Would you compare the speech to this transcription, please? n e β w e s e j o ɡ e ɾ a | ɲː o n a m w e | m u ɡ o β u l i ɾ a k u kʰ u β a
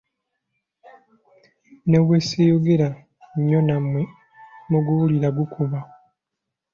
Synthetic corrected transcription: n e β w e s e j o ɡ e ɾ a | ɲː o n a m w e | m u ɡ u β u l i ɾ a ɡ u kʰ u β a